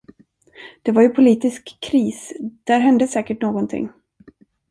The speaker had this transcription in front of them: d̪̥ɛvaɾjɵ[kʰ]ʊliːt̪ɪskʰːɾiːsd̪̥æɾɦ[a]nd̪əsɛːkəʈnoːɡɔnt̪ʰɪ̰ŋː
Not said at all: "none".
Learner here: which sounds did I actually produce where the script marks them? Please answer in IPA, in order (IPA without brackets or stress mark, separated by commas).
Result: pʰ, ɛ